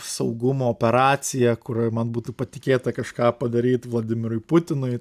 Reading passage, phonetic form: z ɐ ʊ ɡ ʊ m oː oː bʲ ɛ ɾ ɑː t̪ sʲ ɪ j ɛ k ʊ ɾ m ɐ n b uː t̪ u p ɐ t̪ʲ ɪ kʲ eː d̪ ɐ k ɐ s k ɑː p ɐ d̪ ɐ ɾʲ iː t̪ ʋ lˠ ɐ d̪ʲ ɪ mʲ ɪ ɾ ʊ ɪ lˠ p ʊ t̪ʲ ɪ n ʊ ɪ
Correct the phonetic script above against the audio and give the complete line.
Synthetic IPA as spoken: s ɐ ʊ ɡ ʊ m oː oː pʲ ɛ ɾ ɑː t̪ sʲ ɪ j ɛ k ʊ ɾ m ɐ n b uː t̪ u p ɐ t̪ʲ ɪ kʲ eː t̪ ɐ k ɐ ʃ k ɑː p ɐ d̪ ɐ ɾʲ iː t̪ ʋ lˠ ɐ d̪ʲ ɪ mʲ ɪ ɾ ʊ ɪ p ʊ t̪ʲ ɪ n ʊ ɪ